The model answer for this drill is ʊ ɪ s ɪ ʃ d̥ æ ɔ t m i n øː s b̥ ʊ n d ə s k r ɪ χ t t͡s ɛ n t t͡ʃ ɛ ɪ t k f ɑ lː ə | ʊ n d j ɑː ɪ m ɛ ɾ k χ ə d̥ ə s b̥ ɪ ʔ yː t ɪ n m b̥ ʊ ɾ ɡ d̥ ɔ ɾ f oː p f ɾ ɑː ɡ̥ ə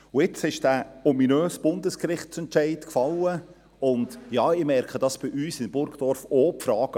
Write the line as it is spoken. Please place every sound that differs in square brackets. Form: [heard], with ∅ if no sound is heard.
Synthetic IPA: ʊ ɪ [t͡s] ɪ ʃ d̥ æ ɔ [∅] m i n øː s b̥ ʊ n d ə s k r ɪ χ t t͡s ɛ n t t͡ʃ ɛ ɪ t k f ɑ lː ə | ʊ n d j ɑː ɪ m ɛ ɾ k χ ə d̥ [ɑ] s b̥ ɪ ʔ yː [s] ɪ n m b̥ ʊ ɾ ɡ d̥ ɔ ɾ f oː p f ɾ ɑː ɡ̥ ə